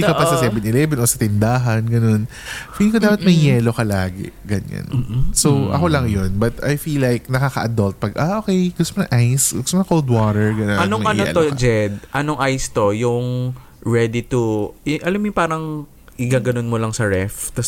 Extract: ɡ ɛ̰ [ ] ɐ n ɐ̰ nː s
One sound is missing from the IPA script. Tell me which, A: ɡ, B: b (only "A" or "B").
A